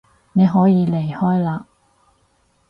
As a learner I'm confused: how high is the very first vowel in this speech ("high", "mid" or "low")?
mid